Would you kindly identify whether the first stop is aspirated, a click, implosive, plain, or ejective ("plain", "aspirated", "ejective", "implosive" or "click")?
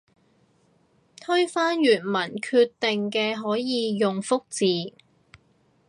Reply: aspirated